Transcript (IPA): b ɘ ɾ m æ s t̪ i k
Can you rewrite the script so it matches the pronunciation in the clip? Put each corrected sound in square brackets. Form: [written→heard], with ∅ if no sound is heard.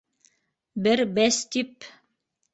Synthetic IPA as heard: b ɘ ɾ [m→b] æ s t̪ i [k→p]